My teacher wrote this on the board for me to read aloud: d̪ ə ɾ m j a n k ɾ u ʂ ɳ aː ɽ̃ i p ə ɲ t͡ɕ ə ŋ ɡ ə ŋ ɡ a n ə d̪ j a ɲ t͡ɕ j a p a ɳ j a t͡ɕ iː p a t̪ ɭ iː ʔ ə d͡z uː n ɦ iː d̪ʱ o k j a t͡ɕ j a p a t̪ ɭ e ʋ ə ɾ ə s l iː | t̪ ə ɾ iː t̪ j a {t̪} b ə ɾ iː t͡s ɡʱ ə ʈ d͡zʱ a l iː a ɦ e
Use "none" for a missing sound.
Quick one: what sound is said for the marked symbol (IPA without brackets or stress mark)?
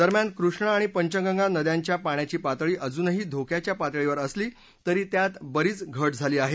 t̪